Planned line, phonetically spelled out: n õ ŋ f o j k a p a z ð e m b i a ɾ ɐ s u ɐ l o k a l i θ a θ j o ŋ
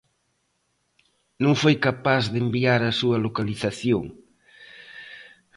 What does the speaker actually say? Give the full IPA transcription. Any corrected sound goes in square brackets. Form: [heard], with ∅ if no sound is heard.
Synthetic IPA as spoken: n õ ŋ f o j k a p a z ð e m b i a ɾ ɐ s u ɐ l o k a l i θ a θ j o ŋ